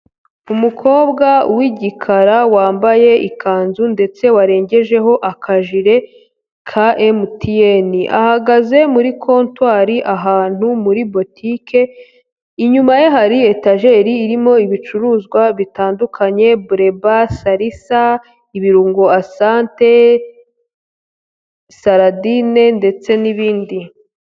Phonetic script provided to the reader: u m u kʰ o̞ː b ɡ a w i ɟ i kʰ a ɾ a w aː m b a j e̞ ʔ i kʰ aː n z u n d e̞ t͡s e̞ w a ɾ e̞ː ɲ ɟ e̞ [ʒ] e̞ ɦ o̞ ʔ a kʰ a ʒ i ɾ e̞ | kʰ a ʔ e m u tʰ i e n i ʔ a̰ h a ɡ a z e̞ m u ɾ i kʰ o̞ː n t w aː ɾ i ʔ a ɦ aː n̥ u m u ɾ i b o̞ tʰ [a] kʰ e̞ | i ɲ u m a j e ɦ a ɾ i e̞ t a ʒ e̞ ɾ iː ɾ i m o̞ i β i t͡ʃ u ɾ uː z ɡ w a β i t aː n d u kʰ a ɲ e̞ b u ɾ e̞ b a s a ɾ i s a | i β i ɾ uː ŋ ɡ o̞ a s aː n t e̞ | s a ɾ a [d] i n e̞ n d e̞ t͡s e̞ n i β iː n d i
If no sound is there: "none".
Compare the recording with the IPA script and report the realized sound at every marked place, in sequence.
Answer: ʒ, i, d

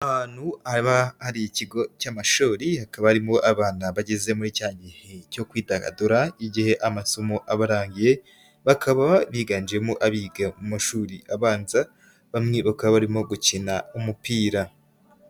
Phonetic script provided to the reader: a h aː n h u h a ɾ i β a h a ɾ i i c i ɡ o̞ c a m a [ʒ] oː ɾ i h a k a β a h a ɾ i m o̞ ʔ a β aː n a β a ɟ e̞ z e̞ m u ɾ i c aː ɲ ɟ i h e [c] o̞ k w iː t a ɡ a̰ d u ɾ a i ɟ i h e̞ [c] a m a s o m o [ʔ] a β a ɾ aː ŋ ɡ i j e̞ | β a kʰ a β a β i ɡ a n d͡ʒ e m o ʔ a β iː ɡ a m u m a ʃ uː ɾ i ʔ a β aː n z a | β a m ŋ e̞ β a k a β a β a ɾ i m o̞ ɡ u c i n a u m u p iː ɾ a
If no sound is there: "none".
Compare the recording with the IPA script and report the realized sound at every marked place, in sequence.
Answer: ʃ, c, ʔ, ʔ

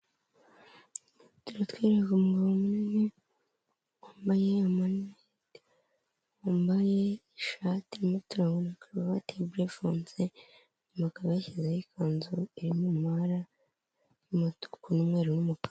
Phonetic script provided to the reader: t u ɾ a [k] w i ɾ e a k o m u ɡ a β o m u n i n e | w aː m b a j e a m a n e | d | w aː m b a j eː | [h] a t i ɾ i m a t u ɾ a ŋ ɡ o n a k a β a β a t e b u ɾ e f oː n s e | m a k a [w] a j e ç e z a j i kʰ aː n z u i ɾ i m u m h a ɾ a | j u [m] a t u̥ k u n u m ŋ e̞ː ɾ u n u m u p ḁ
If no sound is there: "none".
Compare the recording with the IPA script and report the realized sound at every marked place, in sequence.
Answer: t, ʃ, β, m

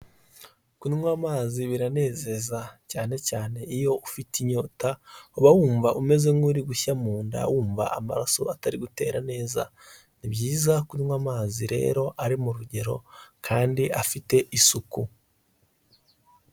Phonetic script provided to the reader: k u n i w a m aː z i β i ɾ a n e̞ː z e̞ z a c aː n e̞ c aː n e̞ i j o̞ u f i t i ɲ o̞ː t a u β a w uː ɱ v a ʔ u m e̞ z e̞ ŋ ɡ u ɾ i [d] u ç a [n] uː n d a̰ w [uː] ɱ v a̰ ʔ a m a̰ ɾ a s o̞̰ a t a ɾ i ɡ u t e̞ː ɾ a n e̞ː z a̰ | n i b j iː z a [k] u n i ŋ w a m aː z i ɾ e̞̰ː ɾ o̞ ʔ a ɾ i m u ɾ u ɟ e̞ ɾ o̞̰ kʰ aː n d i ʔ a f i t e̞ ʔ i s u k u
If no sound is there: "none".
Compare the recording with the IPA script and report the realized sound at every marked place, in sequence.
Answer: ɡ, m, uː, k

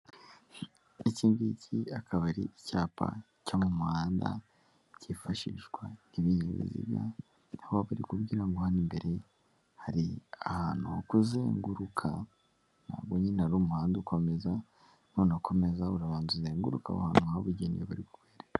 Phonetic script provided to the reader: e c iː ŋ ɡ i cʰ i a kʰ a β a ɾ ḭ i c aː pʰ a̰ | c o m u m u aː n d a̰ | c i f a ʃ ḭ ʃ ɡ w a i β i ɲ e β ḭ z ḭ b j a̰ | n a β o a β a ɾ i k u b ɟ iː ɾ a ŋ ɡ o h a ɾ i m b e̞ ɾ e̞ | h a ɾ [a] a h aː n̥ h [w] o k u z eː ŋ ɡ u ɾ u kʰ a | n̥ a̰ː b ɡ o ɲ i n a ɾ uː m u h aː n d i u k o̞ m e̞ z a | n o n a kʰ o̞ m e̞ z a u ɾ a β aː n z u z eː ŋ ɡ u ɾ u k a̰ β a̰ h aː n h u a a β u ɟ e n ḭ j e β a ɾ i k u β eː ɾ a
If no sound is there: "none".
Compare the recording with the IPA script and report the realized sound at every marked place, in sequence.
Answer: i, u

